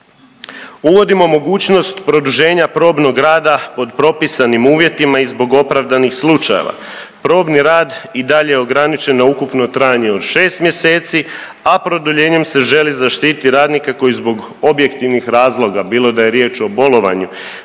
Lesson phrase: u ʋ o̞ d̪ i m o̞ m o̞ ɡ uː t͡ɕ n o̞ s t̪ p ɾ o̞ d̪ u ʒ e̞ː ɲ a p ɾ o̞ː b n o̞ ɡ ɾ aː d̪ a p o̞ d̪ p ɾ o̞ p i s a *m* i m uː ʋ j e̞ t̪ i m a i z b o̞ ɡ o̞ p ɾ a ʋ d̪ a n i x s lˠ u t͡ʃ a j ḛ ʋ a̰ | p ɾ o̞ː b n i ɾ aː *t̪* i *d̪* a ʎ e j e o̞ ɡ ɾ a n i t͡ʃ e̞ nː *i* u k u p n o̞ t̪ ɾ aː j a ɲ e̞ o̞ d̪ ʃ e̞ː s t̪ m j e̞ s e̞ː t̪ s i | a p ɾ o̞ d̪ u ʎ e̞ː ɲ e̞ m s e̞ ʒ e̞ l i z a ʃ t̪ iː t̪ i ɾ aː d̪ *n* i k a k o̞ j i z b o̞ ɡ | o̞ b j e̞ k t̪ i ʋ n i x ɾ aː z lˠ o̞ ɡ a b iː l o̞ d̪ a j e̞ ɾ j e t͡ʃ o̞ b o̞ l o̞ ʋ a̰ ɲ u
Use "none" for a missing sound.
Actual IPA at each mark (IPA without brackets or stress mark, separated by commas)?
n, d̪, d̪, a, n